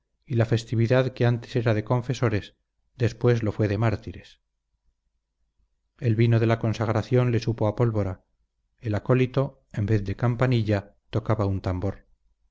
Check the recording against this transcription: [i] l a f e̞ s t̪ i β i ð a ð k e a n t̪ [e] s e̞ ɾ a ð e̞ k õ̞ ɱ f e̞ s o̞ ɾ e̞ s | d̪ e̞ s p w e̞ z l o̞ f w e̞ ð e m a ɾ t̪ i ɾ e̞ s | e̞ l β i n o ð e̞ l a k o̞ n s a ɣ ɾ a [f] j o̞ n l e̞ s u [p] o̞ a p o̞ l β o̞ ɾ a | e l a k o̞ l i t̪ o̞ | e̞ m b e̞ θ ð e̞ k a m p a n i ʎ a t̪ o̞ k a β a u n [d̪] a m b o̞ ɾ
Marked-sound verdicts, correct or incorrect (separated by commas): correct, correct, incorrect, correct, incorrect